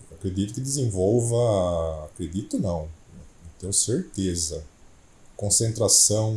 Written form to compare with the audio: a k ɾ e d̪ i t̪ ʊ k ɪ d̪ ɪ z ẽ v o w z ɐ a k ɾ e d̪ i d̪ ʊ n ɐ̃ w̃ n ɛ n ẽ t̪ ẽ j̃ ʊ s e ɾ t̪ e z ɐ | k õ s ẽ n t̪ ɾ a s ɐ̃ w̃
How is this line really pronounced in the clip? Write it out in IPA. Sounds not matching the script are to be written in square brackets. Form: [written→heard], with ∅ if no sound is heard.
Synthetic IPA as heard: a k ɾ e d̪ i t̪ ʊ k ɪ d̪ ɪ z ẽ v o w [z→v] ɐ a k ɾ e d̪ i [d̪→t̪] ʊ n ɐ̃ w̃ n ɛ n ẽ t̪ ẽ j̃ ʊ s e ɾ t̪ e z ɐ | k õ s ẽ n t̪ ɾ a s ɐ̃ w̃